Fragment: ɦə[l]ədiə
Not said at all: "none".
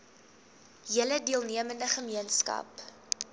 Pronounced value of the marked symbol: l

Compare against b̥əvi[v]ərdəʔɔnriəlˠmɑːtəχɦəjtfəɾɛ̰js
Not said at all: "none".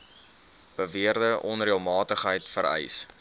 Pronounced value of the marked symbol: none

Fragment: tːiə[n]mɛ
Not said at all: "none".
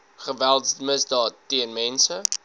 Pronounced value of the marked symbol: n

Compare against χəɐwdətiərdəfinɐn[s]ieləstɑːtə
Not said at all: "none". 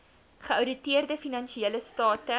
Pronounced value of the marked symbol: ʃ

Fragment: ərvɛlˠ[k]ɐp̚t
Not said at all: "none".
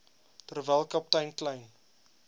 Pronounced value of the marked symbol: k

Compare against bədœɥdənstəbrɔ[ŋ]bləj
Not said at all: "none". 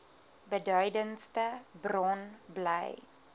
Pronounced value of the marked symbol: n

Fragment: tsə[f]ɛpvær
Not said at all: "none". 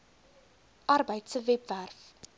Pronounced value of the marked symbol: v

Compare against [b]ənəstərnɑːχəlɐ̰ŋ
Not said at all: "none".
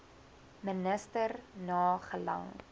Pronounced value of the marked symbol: m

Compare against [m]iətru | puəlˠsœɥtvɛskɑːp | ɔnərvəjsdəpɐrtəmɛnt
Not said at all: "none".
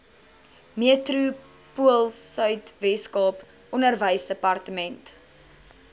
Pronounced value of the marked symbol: m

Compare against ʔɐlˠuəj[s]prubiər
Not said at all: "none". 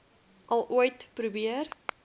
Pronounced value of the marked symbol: t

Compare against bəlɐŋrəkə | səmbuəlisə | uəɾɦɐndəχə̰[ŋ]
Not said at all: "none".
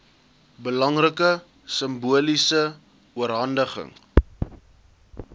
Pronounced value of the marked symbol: ŋ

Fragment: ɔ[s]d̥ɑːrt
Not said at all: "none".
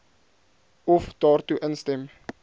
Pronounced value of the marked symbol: f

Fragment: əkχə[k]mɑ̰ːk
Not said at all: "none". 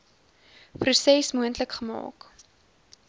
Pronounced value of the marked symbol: none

